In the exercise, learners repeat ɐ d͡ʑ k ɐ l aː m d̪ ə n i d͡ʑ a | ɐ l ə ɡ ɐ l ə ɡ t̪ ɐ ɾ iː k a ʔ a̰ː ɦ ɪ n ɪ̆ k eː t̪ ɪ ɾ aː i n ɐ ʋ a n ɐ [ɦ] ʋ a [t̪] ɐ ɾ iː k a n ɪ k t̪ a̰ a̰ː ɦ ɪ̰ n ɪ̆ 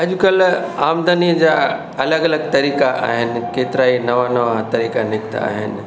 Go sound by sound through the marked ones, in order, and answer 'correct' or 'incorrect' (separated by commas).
incorrect, correct